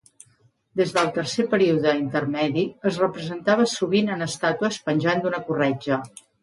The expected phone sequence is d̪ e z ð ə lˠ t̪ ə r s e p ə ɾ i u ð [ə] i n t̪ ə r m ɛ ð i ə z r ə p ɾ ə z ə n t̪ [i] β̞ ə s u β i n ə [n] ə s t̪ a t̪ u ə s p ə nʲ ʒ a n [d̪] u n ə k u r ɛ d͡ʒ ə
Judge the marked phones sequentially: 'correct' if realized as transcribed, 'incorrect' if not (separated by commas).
correct, incorrect, correct, correct